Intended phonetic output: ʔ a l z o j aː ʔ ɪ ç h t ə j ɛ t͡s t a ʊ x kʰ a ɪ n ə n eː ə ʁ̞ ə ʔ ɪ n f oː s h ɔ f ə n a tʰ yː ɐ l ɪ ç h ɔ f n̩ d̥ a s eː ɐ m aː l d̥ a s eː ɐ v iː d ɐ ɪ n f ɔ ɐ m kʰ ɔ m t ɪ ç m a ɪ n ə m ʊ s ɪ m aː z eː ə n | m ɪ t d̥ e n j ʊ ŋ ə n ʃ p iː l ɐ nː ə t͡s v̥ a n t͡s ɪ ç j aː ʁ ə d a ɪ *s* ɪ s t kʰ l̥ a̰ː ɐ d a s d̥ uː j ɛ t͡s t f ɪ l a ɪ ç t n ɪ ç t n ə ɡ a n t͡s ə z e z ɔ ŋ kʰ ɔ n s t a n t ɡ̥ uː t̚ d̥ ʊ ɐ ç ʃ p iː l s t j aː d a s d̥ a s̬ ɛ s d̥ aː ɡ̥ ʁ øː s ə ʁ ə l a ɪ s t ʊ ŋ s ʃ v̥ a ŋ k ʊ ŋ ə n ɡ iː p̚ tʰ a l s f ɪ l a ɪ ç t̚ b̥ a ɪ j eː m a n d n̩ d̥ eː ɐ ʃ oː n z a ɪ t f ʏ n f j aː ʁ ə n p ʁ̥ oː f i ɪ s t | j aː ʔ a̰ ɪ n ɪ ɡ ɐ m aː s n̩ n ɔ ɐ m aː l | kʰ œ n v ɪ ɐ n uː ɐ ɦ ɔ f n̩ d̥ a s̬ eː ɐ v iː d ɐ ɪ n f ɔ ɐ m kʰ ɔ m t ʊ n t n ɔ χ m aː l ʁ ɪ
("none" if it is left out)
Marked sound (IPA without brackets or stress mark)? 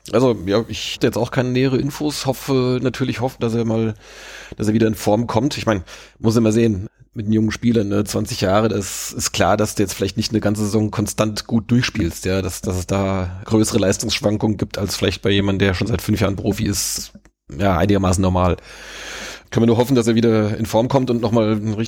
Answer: s